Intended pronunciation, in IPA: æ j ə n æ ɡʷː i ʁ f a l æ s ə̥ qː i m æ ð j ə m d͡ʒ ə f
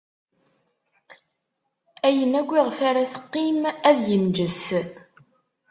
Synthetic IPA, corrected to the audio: æ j ə n æ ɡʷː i ʁ f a ɾ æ θ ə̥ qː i m æ ð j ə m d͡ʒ ə s